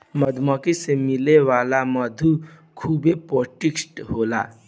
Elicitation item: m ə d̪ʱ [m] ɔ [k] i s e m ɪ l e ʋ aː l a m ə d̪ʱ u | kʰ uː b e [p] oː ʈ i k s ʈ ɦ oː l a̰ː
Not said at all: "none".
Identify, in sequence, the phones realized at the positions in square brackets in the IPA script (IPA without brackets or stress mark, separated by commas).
m, k, p